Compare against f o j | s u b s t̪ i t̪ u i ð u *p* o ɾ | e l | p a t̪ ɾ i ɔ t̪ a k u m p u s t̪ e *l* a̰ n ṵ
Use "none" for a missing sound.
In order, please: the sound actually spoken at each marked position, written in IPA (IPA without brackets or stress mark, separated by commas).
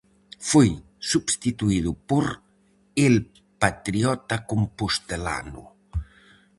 p, l